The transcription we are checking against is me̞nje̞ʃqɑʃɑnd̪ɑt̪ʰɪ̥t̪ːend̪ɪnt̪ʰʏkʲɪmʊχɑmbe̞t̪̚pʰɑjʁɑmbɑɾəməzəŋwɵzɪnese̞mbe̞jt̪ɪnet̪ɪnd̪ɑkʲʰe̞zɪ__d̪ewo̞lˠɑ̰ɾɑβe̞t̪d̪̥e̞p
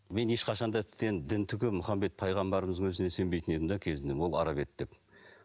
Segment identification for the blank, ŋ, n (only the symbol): n